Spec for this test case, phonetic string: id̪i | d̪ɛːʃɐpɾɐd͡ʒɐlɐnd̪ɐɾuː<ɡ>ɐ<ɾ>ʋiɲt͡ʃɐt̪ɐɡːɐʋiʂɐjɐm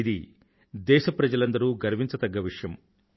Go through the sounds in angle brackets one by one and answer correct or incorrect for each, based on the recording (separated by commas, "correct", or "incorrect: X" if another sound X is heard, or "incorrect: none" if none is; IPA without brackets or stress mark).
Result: correct, correct